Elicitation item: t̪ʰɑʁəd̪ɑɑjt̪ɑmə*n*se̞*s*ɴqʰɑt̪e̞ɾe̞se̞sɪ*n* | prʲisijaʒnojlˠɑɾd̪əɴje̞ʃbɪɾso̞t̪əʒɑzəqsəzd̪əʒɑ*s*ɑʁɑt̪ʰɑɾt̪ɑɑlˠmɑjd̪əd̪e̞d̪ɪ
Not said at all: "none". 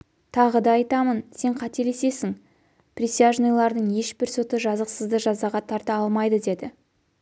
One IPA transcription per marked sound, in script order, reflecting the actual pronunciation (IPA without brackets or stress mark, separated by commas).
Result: n, none, ŋ, z